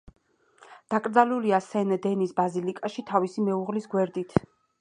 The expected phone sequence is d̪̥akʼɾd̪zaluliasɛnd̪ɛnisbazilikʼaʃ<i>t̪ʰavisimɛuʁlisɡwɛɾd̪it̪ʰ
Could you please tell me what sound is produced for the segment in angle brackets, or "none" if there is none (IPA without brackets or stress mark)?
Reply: i